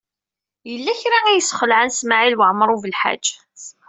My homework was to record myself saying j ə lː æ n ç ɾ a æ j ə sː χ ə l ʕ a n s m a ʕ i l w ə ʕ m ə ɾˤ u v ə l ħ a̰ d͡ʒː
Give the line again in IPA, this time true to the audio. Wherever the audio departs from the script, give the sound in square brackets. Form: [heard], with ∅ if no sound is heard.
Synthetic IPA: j ə lː æ [∅] ç ɾ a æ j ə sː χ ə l ʕ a n s m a ʕ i l w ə ʕ m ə ɾˤ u v ə l ħ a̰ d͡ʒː